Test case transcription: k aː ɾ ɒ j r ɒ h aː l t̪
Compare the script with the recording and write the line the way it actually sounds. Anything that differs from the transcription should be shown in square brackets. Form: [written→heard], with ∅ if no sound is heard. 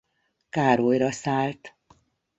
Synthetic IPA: k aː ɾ [ɒ→o] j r ɒ [h→s] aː l t̪